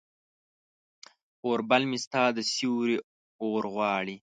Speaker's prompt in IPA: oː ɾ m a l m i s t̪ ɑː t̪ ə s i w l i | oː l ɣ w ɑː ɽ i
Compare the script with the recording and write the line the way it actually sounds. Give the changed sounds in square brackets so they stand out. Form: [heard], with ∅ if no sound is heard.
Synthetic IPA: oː ɾ [b] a l m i s t̪ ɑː [d̪] ə s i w [ɾ] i | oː [ɾ] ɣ w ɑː ɽ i